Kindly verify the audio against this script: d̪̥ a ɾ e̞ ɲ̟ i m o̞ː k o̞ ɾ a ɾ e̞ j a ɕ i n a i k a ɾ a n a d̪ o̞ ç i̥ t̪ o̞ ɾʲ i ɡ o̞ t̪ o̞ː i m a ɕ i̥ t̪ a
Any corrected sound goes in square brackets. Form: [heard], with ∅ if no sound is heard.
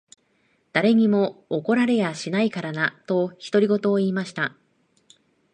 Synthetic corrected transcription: d̪̥ a ɾ e̞ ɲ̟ i m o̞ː k o̞ ɾ a ɾ e̞ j a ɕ i n a i k a ɾ a n a [t̪] o̞ ç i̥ t̪ o̞ ɾʲ i ɡ o̞ t̪ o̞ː [iː] m a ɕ i̥ t̪ a